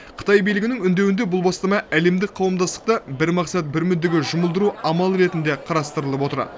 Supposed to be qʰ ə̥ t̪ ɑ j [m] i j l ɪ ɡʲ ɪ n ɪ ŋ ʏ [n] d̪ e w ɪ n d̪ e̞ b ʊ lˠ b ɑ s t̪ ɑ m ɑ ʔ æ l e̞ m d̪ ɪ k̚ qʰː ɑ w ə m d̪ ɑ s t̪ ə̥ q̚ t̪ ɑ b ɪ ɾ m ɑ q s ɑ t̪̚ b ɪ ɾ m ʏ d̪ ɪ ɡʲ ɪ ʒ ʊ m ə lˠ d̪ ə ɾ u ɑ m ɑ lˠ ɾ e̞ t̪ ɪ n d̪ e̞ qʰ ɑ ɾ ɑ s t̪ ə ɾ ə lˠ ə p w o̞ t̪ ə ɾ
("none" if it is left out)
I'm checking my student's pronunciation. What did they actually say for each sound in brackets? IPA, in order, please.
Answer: b, n

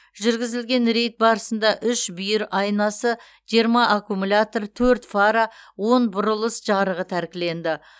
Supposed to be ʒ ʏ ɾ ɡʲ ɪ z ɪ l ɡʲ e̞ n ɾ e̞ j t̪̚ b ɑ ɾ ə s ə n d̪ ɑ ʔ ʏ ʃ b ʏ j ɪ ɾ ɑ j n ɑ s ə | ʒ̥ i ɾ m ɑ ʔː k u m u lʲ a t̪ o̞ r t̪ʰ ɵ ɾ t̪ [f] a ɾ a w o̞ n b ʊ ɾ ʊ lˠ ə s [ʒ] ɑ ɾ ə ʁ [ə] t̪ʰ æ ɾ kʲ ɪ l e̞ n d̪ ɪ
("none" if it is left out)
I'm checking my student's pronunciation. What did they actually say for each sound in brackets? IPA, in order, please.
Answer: f, ʒ, ə

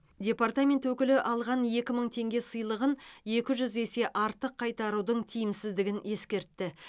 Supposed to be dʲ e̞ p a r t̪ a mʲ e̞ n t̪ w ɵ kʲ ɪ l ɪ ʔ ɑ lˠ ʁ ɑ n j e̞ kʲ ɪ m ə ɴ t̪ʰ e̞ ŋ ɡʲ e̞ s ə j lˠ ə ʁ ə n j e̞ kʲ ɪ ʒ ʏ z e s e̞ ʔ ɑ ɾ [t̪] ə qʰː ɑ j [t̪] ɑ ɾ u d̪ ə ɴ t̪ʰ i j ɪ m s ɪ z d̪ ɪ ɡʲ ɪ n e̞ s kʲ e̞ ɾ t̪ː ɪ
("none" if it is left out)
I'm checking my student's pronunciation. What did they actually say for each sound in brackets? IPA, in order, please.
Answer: t̪, t̪

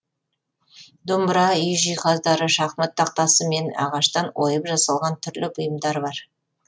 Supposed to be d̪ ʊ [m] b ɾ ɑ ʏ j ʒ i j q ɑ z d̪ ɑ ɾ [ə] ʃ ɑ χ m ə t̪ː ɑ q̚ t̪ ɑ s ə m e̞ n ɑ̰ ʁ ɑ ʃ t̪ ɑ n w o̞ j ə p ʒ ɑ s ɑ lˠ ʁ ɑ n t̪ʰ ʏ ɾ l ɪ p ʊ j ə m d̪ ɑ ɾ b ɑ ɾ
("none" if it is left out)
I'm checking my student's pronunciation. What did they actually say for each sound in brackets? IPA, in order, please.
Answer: m, ə

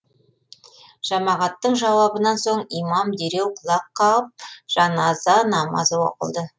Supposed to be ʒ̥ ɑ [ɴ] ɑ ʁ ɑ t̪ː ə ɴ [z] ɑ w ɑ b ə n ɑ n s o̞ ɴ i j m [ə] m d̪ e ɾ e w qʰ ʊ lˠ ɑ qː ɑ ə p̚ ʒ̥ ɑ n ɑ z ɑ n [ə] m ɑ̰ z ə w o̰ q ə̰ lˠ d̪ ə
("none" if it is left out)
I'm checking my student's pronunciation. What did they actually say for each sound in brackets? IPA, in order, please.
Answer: m, ʒ, ɑ, ɑ

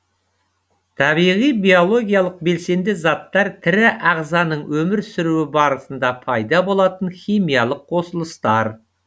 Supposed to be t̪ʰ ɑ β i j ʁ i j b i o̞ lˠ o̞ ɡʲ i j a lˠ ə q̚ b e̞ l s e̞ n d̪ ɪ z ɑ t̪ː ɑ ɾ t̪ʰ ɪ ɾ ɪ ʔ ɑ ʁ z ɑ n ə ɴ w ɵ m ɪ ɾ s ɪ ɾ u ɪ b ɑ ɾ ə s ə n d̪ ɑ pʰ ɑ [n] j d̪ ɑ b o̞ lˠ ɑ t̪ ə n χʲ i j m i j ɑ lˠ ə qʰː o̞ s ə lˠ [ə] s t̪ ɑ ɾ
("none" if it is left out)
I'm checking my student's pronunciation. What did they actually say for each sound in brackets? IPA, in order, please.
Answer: none, ə

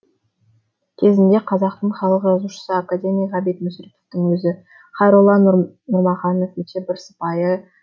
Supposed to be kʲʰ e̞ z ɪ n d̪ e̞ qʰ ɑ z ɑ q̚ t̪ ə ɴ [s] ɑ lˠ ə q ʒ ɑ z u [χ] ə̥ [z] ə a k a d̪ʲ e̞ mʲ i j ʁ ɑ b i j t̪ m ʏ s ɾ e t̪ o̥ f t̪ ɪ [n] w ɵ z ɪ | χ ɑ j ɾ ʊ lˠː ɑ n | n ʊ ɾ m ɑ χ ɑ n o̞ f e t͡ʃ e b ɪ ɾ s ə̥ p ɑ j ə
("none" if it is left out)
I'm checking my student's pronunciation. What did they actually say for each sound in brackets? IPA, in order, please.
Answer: χ, ʃ, s, ŋ

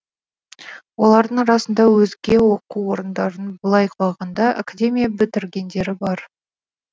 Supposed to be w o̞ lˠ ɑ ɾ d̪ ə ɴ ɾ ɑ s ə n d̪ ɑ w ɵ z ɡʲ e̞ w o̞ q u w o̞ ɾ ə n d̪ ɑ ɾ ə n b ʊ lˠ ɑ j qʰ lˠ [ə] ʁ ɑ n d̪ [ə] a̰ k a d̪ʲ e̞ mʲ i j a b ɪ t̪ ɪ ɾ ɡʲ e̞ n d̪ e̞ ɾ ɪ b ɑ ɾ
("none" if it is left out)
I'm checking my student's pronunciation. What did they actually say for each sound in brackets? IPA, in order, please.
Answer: ɑ, ɑ

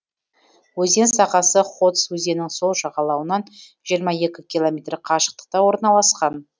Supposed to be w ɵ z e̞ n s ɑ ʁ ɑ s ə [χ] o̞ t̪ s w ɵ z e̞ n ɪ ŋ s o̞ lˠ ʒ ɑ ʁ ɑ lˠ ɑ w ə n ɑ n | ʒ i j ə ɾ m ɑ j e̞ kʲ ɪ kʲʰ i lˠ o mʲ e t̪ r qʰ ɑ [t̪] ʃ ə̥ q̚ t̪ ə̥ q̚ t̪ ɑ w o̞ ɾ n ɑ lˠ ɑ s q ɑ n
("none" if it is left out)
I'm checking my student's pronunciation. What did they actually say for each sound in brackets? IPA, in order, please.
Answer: χ, none

